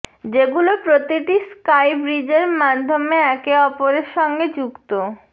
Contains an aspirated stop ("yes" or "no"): no